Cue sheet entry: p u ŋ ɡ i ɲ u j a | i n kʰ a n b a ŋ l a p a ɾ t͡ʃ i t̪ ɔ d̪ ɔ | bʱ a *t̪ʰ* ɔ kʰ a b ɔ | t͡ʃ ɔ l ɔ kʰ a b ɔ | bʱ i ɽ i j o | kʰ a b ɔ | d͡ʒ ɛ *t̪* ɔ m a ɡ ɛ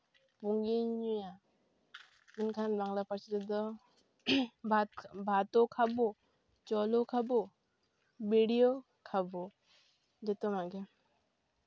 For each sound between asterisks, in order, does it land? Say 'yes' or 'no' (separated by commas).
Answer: no, yes